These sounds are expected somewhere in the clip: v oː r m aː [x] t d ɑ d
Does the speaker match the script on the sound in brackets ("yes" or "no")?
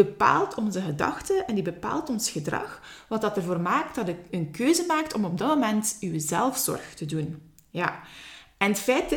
no